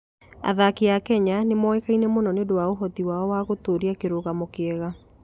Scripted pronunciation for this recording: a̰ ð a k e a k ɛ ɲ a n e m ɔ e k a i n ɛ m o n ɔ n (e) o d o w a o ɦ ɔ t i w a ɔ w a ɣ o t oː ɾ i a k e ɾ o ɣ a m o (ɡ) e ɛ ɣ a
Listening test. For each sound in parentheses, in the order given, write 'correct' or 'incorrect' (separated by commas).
correct, incorrect